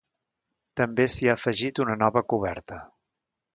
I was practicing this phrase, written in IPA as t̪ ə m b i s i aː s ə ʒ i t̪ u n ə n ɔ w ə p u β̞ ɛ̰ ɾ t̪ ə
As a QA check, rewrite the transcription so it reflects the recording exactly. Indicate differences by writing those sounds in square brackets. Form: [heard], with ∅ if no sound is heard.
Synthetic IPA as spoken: t̪ ə m b [e] s i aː [f] ə ʒ i t̪ u n ə n ɔ [β] ə [k] u β̞ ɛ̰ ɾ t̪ ə